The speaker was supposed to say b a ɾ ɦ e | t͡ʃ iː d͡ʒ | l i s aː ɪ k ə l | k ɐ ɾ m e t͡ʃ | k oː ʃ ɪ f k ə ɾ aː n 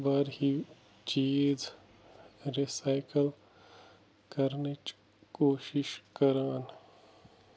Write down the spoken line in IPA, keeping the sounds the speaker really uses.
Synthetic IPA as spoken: b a ɾ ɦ i | t͡ʃ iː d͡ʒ | ɾ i s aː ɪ k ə l | k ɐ ɾ n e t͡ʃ | k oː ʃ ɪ ʃ k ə ɾ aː n